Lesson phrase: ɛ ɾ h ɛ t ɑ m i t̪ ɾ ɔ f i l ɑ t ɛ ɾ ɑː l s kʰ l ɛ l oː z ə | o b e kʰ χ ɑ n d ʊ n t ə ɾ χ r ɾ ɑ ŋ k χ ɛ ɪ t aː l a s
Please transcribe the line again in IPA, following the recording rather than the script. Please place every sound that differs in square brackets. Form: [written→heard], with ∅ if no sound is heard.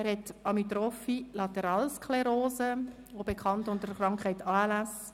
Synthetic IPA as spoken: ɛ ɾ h ɛ t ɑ m i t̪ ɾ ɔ f i l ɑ t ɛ ɾ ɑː l s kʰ l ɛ [l→ɾ] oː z ə | o b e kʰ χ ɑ n [d→t] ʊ n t ə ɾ χ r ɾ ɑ ŋ k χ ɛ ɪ t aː l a s